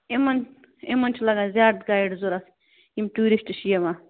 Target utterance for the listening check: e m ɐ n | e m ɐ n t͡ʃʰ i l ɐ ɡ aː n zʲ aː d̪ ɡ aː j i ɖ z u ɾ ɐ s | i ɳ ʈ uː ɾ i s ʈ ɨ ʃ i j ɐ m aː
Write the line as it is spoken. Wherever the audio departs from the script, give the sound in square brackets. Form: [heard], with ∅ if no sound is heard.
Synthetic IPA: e m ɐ n | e m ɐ n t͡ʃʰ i l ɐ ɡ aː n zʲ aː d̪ ɡ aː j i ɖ z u ɾ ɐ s | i [m] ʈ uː ɾ i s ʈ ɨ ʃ i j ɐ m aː